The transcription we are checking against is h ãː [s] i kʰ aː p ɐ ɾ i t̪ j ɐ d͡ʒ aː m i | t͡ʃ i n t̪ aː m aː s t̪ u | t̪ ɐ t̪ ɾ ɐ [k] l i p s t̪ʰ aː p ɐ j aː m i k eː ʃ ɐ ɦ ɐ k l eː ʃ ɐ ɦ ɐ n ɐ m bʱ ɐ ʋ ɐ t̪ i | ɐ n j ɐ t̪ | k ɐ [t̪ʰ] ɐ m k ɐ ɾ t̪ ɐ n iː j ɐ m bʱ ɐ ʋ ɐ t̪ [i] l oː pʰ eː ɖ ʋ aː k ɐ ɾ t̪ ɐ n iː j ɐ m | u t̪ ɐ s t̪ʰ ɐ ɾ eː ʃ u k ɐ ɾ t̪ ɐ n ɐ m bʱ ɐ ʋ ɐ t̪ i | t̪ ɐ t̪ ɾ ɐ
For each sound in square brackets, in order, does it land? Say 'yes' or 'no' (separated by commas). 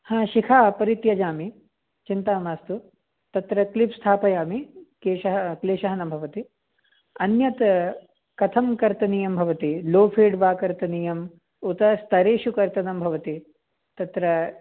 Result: no, yes, yes, yes